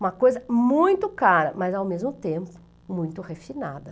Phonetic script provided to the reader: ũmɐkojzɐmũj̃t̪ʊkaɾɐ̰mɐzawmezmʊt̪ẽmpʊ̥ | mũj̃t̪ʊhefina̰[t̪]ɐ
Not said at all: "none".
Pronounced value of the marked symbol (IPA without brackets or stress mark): d̪